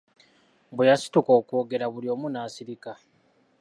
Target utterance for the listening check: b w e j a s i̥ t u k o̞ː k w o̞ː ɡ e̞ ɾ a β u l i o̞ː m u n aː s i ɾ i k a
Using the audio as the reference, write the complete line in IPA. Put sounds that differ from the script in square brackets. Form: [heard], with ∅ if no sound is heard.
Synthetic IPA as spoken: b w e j a s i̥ t u k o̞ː k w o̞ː ɡ e̞ ɾ a β u l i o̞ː m u n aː s i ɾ i k a